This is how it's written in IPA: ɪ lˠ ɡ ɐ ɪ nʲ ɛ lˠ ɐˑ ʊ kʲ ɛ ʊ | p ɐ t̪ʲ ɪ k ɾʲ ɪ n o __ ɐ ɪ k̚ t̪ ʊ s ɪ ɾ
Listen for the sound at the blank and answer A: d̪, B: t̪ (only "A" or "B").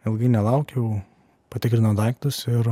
A